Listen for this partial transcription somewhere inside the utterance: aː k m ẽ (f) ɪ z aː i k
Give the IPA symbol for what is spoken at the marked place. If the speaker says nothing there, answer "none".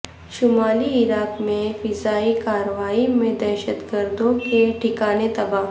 f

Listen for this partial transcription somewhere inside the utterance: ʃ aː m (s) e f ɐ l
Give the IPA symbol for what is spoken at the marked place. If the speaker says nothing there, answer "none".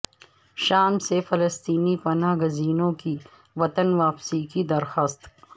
s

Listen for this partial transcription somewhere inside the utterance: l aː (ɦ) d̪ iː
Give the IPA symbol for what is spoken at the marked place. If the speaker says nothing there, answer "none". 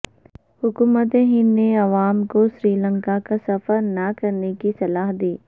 ɦ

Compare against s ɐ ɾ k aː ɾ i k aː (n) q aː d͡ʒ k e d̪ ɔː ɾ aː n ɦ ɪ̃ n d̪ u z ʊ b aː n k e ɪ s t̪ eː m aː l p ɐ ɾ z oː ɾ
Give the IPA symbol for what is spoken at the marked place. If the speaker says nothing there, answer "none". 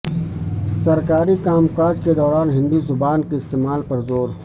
m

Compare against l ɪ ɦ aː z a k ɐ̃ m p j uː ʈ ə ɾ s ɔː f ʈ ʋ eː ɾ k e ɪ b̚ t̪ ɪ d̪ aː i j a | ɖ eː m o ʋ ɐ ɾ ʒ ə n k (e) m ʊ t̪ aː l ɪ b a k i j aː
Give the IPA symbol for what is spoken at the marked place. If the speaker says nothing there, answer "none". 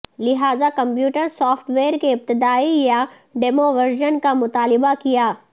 a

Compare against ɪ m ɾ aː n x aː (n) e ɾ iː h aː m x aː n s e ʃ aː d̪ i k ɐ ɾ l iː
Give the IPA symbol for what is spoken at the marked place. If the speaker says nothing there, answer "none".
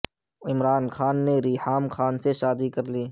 nː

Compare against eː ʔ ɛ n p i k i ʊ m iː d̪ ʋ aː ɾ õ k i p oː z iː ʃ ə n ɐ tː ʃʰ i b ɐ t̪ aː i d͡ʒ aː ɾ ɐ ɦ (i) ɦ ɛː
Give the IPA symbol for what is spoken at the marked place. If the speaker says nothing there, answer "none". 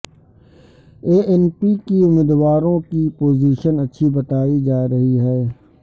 i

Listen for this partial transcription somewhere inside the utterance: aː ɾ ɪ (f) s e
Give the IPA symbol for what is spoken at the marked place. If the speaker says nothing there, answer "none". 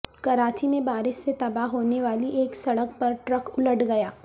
ʃ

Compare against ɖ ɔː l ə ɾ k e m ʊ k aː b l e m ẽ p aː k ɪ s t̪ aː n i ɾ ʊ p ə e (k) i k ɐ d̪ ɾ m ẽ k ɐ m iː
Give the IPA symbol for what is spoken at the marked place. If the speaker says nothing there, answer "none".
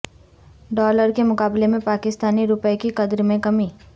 k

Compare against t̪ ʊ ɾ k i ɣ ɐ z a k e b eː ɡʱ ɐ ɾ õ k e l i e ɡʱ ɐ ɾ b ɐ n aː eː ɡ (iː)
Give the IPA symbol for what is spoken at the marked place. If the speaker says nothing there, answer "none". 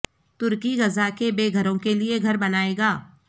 aː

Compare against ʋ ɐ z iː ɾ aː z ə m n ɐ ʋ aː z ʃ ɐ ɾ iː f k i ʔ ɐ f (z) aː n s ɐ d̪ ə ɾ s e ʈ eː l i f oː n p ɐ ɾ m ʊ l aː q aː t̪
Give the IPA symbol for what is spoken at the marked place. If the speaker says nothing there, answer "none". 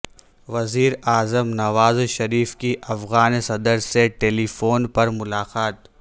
ɣ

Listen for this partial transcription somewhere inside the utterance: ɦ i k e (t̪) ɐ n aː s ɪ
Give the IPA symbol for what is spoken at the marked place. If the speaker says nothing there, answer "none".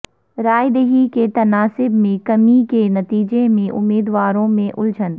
t̪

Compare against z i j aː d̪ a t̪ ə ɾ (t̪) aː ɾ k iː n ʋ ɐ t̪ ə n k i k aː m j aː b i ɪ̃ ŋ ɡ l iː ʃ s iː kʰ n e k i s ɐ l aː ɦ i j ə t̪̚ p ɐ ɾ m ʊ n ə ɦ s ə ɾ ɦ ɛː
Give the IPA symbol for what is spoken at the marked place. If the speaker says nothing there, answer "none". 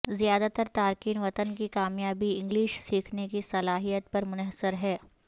t̪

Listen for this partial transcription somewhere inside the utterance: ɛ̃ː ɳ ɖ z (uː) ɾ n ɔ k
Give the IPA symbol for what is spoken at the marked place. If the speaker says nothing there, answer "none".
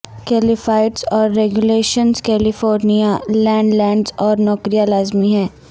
ɔː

